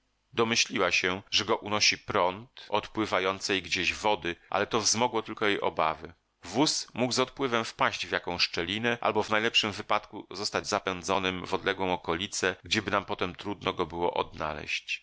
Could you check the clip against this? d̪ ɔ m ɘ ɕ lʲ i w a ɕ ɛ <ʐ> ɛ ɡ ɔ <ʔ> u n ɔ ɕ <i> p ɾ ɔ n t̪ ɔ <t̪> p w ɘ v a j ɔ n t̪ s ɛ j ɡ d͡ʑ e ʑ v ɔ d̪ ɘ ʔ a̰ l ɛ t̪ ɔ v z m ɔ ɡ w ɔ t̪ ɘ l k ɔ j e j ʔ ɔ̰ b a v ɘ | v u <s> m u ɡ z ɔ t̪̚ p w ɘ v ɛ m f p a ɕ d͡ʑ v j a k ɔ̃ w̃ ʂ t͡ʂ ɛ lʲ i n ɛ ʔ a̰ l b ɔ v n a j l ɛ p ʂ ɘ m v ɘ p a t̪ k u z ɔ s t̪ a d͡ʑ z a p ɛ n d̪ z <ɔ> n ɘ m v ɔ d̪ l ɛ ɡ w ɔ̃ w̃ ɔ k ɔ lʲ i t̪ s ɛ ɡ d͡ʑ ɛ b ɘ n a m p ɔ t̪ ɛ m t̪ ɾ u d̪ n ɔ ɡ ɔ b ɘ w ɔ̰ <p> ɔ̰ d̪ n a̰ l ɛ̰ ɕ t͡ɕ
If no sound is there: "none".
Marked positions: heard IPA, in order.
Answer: ʐ, ʔ, i, t̪, s, ɔ, ʔ

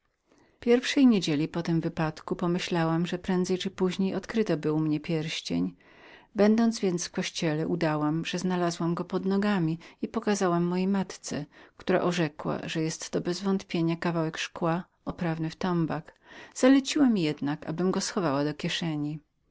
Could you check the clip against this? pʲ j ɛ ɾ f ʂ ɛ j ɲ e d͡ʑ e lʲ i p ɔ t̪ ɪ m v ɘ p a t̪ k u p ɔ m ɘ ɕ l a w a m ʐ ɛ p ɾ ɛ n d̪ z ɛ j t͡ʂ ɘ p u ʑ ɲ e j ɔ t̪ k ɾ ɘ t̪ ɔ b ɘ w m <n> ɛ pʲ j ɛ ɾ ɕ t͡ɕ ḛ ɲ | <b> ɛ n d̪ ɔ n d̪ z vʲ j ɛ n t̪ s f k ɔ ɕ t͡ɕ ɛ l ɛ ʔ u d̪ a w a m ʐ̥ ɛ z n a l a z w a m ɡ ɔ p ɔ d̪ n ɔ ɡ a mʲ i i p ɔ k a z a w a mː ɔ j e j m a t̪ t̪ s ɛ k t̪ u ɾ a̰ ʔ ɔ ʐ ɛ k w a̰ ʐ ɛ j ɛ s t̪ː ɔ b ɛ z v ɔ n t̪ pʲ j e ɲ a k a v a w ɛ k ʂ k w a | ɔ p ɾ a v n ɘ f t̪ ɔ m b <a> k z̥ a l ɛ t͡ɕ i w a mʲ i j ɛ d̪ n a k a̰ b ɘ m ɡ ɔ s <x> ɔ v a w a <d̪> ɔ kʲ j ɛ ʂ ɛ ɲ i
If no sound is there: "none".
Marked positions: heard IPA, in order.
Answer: ɲ, b, a, x, d̪

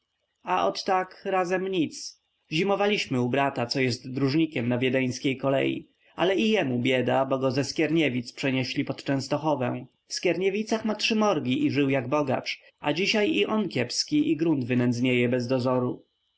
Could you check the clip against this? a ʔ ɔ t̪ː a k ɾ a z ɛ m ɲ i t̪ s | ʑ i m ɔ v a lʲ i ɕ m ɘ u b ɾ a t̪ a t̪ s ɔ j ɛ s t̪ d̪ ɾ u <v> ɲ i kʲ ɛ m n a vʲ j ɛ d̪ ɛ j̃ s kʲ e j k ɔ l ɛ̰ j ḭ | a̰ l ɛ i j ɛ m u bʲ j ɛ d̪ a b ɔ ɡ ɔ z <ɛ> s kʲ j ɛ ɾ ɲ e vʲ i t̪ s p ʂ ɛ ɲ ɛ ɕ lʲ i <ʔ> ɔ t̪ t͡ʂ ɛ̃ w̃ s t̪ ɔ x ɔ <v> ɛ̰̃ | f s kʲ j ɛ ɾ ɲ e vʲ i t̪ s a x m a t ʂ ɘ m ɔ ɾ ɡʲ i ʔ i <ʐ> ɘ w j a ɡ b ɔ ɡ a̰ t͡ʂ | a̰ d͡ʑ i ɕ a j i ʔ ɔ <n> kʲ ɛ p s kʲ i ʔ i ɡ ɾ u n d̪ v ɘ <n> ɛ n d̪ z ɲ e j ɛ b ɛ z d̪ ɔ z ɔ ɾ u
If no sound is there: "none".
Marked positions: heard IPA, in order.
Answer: ʐ, ɛ, p, v, ʐ, n, n

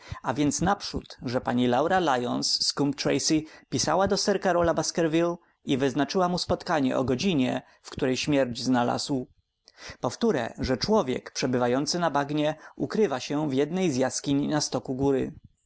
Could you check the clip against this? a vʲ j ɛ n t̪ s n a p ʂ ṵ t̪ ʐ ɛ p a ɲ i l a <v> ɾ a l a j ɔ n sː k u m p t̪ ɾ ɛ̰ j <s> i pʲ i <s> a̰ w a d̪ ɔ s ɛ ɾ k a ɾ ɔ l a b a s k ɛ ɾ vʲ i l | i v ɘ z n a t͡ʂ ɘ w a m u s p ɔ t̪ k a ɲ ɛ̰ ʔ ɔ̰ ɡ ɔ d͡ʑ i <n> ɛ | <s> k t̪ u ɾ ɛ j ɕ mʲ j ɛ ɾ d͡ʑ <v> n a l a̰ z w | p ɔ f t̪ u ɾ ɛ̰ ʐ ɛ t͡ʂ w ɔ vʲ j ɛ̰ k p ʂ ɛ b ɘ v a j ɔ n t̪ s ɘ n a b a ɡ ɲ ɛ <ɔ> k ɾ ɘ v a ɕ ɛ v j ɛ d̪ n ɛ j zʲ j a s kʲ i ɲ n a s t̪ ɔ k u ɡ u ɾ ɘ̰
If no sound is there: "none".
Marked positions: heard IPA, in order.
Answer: w, s, s, ɲ, f, z, u

